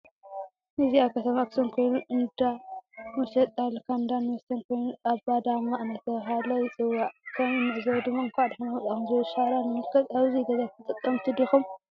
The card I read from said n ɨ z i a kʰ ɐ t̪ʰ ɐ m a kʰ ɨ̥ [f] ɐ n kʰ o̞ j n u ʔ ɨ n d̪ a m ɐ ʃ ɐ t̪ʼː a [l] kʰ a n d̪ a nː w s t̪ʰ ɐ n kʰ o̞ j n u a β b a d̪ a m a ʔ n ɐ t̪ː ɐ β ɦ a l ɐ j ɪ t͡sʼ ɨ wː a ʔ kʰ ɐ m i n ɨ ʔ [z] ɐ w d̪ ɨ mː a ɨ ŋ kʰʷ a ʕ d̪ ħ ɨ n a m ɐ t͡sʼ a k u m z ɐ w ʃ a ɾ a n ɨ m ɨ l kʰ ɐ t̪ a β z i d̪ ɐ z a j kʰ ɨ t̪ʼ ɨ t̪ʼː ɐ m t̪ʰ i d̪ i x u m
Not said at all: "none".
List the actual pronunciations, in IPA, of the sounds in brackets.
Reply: s, l, z

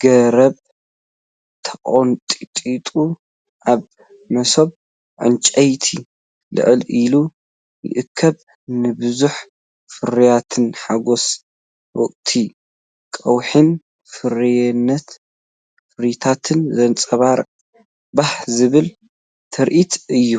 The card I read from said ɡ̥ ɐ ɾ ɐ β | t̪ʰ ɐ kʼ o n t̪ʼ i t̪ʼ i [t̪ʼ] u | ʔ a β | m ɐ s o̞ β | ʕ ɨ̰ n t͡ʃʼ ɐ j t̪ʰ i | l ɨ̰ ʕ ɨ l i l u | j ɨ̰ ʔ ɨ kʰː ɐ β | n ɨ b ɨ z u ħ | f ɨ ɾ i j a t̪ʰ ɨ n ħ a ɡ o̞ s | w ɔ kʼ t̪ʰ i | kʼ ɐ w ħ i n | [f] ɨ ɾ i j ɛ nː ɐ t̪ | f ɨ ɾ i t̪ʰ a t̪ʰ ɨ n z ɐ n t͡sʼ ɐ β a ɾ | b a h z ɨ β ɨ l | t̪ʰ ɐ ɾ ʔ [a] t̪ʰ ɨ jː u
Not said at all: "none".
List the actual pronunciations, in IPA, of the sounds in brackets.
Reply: t̪ʼ, f, i

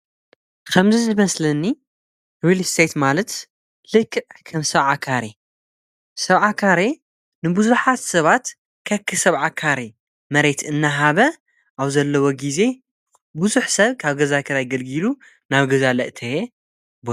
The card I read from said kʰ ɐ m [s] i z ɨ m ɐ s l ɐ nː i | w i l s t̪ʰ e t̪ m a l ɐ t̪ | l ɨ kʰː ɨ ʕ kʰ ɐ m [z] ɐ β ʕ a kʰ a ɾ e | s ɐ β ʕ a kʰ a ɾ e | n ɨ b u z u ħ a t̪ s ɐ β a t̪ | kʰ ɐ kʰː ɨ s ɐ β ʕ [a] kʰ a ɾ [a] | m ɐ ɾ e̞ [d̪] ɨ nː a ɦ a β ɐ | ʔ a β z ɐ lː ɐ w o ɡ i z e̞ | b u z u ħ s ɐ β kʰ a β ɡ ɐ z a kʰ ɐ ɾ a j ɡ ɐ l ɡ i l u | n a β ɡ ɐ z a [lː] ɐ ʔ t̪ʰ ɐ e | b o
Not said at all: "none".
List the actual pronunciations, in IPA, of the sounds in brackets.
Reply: z, s, a, e, t̪, l

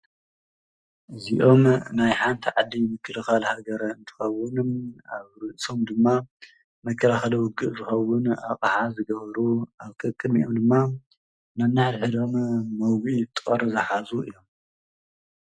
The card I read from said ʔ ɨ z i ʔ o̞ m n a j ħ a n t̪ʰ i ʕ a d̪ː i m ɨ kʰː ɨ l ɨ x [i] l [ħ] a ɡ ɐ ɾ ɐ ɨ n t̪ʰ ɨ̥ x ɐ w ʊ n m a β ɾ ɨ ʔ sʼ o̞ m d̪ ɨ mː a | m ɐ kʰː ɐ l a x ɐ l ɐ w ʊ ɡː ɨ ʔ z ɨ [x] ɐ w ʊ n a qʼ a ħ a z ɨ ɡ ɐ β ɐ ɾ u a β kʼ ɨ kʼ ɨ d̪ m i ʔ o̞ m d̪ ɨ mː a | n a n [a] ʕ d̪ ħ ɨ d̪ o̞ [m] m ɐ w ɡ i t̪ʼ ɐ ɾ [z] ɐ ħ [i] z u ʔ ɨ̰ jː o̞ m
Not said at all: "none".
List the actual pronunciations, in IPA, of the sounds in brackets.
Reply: a, h, x, a, m, z, a

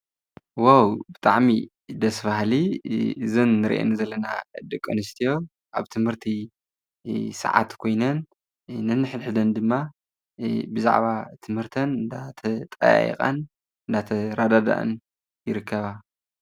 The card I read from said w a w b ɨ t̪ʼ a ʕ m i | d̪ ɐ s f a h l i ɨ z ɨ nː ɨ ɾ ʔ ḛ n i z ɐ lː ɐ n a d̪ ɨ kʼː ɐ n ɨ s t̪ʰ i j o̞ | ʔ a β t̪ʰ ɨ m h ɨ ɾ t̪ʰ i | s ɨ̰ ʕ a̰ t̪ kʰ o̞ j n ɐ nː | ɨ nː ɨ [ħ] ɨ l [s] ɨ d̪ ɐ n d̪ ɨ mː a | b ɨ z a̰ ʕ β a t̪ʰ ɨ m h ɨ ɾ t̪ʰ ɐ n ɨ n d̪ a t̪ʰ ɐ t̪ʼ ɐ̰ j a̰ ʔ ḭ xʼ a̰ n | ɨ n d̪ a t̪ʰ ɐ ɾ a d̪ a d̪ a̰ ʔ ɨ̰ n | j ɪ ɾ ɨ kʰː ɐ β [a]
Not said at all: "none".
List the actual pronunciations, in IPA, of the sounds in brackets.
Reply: ħ, ħ, a

